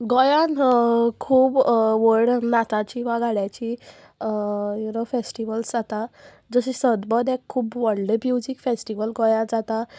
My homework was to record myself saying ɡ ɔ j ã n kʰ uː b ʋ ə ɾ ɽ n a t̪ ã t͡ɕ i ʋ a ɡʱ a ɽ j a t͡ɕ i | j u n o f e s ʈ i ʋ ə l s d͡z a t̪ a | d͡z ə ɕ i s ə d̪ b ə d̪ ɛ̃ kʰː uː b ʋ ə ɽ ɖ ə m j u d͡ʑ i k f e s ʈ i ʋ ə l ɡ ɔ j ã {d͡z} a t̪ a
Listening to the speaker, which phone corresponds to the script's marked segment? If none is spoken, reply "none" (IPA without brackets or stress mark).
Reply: d͡z